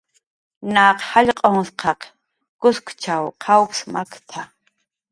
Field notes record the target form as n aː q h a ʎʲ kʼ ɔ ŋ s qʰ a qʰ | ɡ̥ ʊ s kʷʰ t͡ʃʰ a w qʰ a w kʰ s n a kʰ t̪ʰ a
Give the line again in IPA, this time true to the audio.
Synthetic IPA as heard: n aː q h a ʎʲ qʼ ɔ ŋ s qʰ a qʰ | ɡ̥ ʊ s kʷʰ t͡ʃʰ a w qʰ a w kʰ s m a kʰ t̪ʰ a